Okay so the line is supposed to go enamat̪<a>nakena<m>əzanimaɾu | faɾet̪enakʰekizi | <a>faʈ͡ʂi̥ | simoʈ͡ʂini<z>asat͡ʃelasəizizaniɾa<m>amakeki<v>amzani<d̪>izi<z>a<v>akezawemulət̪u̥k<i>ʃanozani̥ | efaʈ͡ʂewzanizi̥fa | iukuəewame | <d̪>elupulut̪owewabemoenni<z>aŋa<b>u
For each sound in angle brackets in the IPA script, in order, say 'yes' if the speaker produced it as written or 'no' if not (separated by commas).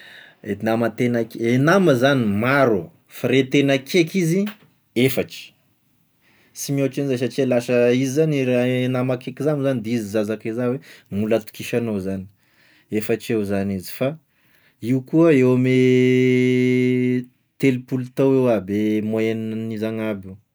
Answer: no, yes, no, yes, no, no, yes, yes, no, yes, no, yes, yes